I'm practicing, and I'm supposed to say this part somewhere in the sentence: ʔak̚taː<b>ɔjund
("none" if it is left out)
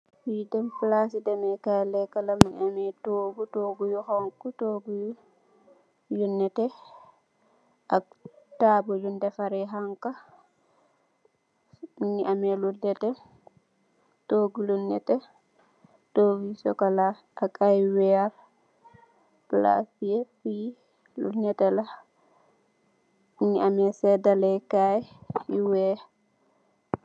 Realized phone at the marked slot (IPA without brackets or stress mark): b